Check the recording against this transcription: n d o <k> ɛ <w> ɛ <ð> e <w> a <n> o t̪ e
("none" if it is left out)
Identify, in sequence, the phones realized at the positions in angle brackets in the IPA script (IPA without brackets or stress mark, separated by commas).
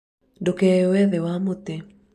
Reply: k, w, ð, w, m